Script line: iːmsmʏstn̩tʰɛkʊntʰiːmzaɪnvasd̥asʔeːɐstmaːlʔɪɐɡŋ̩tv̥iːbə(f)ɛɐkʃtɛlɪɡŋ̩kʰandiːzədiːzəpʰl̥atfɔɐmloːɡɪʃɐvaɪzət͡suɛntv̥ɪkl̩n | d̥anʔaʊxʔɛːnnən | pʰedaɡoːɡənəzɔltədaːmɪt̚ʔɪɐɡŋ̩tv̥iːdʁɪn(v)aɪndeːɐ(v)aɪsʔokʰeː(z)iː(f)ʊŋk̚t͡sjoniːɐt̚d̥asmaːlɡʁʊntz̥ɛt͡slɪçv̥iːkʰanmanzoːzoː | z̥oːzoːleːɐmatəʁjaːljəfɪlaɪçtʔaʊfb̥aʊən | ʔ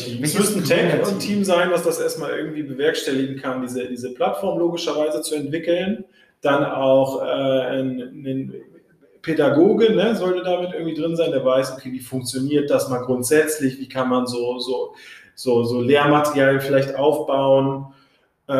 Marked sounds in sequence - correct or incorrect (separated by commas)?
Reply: incorrect, incorrect, correct, incorrect, correct